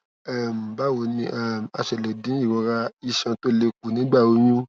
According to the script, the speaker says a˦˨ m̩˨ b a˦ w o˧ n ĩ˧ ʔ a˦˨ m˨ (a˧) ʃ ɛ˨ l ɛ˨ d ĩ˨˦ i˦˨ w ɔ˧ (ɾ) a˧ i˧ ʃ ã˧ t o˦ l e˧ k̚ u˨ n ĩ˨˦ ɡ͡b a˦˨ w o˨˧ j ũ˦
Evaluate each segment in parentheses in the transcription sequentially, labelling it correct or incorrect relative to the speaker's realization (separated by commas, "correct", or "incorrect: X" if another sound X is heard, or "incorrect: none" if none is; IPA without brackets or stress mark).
correct, correct